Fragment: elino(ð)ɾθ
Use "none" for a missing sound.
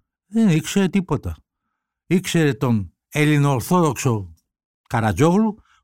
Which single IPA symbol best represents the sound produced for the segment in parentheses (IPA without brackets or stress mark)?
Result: none